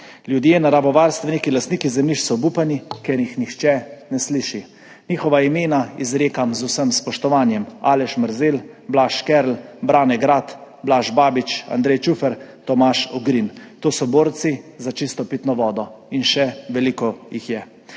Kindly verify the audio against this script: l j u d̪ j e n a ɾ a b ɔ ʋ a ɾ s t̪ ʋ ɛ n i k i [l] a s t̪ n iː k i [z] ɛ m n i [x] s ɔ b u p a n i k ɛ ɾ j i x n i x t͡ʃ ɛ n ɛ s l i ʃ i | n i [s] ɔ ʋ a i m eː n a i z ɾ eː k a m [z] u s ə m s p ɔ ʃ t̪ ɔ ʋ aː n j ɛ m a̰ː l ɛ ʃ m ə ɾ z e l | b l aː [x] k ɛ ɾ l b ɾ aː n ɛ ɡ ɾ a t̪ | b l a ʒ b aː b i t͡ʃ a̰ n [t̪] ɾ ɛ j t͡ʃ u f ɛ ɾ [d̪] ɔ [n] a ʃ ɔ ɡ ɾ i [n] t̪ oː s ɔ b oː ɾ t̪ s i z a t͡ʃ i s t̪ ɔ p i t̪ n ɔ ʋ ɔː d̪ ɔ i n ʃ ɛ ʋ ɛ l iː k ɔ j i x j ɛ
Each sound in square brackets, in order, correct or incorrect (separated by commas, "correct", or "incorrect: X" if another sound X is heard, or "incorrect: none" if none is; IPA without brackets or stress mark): correct, correct, incorrect: ʃ, incorrect: x, correct, incorrect: ʃ, incorrect: d̪, incorrect: t̪, incorrect: m, correct